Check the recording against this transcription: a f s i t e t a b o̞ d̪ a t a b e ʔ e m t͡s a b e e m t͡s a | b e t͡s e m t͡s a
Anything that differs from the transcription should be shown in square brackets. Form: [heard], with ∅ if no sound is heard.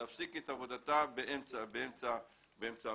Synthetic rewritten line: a f s i [k] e t a [v] o̞ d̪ a t a b e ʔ e m t͡s a b e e m t͡s a | b e [∅] e m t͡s a